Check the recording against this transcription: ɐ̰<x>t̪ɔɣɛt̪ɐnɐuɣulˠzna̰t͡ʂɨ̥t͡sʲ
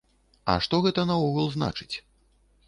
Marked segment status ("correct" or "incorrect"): incorrect